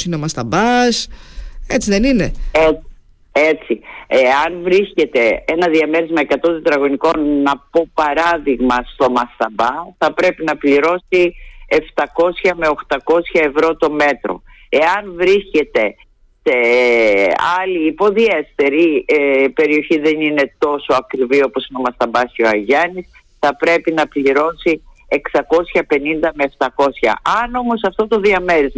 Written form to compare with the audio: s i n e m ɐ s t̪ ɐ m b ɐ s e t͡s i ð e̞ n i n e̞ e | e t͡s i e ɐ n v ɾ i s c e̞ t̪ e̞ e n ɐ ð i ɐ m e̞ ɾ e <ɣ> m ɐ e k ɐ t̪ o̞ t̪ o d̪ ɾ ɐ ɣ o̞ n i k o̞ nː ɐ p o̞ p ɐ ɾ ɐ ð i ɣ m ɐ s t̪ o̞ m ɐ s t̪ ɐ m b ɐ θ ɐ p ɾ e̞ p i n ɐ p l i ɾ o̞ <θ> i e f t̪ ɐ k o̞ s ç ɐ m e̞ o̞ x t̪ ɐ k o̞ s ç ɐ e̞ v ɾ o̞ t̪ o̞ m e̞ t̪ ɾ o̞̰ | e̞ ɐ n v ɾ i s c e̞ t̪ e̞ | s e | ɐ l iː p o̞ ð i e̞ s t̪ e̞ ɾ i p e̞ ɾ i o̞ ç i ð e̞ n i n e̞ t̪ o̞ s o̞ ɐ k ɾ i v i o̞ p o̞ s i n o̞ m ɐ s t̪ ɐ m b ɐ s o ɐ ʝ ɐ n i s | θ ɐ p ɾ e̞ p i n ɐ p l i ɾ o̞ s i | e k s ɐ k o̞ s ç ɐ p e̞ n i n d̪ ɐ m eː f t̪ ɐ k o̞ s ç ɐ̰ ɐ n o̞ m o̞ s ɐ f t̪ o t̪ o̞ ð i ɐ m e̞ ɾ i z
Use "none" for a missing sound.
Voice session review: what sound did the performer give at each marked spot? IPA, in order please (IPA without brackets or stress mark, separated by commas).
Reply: z, s